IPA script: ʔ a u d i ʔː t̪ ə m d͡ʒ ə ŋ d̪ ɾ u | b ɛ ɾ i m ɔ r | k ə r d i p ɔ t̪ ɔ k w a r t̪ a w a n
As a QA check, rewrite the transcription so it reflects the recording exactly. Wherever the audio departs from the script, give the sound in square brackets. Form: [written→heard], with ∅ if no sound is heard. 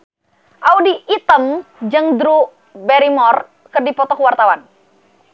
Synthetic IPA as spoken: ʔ a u d i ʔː t̪ ə m d͡ʒ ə ŋ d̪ ɾ u | b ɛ ɾ i m ɔ r | k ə r d i p ɔ t̪ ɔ k w a r t̪ a w a n